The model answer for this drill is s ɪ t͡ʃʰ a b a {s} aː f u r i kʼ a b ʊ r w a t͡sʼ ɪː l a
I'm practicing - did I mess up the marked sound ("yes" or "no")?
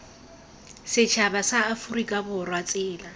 no